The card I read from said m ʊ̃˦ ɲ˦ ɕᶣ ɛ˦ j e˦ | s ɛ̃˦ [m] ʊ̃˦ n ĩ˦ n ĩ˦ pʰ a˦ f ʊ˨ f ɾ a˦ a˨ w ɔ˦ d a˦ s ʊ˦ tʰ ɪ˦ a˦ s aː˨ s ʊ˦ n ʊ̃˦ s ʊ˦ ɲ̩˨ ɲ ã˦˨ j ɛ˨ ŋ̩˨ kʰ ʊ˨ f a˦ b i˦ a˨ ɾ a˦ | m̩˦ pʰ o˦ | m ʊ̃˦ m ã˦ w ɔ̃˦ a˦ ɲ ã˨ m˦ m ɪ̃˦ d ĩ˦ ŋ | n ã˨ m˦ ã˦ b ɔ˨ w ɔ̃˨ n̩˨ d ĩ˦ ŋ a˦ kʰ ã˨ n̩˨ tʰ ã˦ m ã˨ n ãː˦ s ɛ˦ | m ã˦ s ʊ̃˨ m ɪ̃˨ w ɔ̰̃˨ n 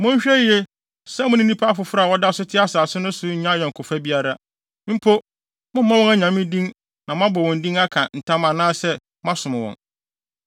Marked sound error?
no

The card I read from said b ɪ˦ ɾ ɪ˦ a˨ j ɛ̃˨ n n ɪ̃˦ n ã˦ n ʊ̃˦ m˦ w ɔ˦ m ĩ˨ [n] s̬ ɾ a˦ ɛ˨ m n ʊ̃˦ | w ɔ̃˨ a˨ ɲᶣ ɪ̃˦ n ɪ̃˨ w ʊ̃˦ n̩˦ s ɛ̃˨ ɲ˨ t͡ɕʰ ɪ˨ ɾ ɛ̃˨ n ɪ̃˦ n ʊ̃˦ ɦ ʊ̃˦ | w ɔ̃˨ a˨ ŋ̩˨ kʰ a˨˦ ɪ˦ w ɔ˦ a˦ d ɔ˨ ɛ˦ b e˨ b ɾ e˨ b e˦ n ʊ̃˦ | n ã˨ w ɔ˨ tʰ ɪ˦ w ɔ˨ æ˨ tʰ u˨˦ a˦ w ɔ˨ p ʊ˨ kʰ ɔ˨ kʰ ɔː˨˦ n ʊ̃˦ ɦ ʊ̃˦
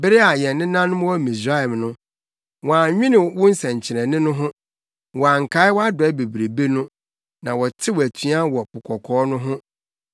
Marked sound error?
yes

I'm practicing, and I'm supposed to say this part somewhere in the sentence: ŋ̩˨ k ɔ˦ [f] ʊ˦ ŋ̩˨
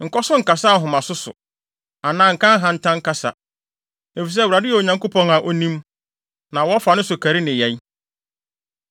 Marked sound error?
yes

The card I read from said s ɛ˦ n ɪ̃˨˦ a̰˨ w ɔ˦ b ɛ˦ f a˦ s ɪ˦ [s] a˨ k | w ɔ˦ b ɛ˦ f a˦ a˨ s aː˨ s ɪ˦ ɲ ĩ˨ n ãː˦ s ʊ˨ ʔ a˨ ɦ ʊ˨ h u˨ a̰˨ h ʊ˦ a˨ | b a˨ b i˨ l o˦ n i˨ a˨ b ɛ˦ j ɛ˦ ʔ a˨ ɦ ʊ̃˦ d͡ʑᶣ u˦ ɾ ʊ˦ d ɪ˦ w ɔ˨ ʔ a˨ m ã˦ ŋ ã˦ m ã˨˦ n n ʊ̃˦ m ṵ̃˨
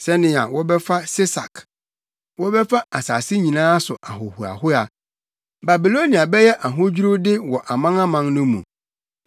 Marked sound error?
no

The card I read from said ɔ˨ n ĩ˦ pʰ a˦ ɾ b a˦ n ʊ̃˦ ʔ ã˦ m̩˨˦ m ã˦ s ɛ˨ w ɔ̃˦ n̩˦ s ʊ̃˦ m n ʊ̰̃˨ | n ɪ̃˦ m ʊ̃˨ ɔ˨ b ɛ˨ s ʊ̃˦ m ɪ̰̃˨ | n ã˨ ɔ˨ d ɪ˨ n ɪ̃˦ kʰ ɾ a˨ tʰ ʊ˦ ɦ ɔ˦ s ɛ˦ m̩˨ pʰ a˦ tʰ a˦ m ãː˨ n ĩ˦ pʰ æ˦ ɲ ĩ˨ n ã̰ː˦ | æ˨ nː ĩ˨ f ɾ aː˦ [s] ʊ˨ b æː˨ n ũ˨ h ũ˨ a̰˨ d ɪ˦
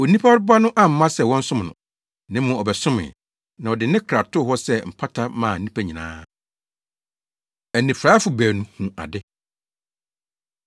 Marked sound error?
yes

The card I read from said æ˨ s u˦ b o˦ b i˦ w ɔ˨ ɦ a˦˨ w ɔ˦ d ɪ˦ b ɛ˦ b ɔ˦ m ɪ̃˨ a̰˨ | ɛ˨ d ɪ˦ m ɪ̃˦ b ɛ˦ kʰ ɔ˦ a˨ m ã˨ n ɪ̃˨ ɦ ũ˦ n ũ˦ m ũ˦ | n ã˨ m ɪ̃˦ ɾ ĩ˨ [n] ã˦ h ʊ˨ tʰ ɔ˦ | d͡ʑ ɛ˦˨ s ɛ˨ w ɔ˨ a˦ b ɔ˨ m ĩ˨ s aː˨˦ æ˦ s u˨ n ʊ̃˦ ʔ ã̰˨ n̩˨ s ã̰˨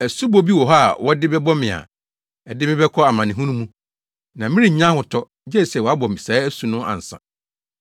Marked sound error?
yes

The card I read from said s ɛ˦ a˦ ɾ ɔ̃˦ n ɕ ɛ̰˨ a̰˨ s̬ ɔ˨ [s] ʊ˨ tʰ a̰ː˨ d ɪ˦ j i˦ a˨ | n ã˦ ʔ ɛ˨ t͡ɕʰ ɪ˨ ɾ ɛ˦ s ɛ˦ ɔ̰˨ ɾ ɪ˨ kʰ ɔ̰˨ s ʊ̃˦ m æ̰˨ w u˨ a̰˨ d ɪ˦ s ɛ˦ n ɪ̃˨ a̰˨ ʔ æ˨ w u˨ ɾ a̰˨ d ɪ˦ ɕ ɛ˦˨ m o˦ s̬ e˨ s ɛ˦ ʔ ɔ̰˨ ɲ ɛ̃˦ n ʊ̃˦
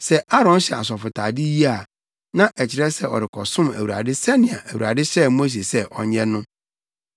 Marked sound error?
yes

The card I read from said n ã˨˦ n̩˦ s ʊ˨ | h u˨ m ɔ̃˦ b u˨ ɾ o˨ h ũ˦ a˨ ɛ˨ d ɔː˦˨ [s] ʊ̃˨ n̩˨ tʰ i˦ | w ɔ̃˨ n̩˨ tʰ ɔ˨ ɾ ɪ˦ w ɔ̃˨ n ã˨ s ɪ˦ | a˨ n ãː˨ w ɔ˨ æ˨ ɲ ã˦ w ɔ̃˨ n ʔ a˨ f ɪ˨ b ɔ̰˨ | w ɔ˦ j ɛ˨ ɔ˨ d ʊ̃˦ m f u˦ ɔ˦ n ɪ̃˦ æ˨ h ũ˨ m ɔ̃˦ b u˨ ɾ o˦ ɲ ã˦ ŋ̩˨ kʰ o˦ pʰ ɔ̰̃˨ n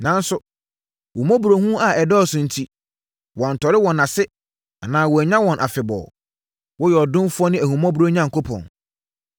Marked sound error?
no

